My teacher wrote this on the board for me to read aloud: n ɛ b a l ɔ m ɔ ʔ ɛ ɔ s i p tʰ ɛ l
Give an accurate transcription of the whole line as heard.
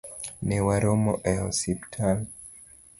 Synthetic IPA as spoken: n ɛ w a ɾ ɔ m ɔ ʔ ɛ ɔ s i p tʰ a l